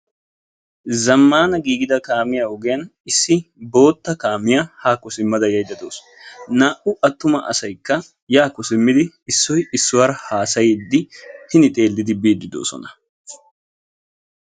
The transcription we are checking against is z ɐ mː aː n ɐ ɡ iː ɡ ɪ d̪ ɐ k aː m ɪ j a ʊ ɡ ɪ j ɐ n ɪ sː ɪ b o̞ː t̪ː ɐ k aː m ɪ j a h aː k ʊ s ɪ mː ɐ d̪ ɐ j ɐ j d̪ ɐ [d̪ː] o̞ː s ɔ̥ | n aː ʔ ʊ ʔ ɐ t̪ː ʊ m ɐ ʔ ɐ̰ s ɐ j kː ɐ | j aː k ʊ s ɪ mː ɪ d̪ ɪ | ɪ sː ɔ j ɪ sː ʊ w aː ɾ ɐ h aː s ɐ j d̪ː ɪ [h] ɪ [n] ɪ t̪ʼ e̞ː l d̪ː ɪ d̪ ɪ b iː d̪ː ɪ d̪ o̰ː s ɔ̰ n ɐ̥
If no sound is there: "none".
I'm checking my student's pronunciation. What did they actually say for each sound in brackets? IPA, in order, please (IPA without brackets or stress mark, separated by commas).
d̪, h, n